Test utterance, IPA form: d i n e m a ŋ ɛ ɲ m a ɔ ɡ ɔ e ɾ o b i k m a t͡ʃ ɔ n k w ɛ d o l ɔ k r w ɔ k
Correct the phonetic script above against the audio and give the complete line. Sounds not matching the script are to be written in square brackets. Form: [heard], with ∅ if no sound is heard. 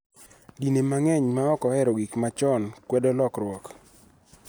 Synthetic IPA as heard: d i n e m a ŋ ɛ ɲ m a ɔ [k] ɔ [ɛ] ɾ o [ɡ] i k m a t͡ʃ ɔ n k w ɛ d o l ɔ k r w ɔ k